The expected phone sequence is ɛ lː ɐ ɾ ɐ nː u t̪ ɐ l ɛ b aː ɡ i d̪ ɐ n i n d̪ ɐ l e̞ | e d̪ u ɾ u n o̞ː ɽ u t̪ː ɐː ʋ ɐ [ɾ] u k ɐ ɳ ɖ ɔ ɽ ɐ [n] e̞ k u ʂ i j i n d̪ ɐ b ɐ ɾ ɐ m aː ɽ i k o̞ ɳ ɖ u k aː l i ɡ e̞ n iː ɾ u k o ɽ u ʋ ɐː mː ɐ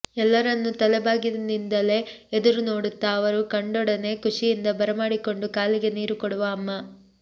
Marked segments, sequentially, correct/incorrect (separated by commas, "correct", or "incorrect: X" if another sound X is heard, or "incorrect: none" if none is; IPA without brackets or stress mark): correct, correct